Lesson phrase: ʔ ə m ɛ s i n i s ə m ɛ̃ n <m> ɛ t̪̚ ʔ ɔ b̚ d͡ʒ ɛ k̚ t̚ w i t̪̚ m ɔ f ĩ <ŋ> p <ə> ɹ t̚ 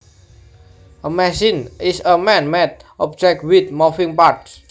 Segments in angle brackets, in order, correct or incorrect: correct, correct, incorrect: a

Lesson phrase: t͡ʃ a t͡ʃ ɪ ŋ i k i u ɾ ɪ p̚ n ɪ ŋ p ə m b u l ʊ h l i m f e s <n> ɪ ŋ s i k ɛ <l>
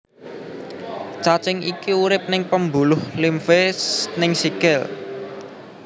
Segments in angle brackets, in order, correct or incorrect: correct, correct

